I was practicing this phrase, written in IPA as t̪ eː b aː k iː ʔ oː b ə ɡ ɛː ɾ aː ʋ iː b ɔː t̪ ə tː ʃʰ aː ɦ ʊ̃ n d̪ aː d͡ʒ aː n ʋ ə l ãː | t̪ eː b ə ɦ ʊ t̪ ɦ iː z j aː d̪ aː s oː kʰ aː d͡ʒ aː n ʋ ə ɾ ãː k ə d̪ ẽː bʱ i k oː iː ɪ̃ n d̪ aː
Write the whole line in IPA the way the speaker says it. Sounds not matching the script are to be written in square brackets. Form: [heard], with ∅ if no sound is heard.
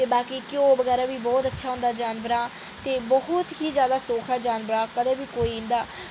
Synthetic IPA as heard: t̪ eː b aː k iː [k] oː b ə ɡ ɛː ɾ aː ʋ iː b ɔː t̪ ə tː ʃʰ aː ɦ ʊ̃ n d̪ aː d͡ʒ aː n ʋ ə [ɾ] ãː | t̪ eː b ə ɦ ʊ t̪ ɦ iː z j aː d̪ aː s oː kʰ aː d͡ʒ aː n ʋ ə ɾ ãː k ə d̪ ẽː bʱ [iː] k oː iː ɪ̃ n d̪ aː